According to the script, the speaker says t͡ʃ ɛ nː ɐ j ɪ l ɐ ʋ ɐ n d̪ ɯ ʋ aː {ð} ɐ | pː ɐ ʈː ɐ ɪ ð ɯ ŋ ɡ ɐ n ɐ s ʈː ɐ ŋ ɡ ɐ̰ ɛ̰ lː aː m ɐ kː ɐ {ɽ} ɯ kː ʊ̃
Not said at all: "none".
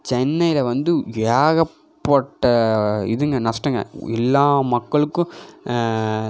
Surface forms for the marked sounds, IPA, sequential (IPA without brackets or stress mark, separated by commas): ɣ, ɭ